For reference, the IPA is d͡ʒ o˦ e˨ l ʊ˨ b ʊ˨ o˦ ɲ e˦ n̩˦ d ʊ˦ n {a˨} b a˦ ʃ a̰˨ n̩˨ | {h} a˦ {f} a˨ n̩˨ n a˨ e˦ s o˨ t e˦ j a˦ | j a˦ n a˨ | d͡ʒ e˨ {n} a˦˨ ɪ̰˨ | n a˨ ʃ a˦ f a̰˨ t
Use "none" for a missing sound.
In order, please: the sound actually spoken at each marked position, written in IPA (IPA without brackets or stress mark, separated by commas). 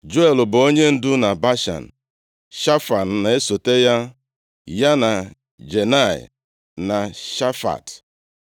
a˨, ʃ, f, n